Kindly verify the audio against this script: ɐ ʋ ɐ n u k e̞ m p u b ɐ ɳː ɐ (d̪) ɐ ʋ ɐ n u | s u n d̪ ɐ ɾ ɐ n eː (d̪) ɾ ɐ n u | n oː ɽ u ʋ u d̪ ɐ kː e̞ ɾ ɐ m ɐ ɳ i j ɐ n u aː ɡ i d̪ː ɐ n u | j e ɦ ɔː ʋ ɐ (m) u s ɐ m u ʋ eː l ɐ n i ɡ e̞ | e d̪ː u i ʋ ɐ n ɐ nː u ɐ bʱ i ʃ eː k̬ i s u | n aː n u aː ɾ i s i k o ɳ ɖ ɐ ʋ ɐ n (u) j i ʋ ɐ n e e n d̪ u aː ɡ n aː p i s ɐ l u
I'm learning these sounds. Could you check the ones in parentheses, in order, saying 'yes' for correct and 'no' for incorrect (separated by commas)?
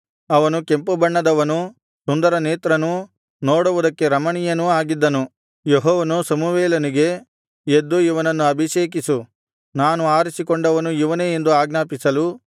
yes, no, no, yes